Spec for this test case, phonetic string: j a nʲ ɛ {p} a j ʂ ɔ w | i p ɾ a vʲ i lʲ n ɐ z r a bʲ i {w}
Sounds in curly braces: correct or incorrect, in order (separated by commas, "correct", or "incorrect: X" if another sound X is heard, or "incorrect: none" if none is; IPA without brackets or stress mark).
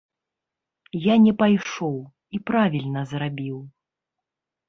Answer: correct, correct